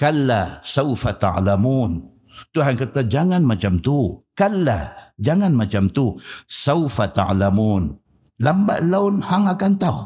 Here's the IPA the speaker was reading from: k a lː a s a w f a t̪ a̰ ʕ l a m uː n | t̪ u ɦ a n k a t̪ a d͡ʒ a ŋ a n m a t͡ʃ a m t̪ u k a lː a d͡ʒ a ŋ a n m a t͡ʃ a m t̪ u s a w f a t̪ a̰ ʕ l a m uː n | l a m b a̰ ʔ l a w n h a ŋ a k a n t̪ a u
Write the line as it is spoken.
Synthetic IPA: k a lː a s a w f a t̪ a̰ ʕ l a m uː n | t̪ u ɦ a n k a t̪ a d͡ʒ a ŋ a n m a t͡ʃ a m t̪ u k a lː a d͡ʒ a ŋ a n m a t͡ʃ a m t̪ u s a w f a t̪ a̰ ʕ l a m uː n | l a m b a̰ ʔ l a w n h a ŋ a k a n t̪ a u